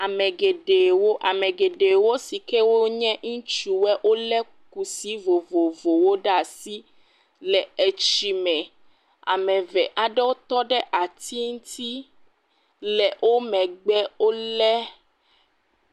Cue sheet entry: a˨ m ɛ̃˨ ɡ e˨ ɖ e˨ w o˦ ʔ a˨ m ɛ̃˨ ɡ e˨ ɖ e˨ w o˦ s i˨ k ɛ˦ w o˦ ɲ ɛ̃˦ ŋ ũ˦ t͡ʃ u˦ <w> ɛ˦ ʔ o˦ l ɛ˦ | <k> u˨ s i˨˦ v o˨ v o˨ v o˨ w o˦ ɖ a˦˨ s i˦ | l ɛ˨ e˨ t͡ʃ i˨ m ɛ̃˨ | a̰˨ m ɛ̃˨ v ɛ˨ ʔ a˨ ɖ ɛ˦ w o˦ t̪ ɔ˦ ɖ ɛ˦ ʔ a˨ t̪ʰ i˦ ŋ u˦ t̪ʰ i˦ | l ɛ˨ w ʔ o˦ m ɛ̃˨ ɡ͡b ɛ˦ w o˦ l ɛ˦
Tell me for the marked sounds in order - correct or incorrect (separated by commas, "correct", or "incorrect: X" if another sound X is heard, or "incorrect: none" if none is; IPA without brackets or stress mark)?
correct, correct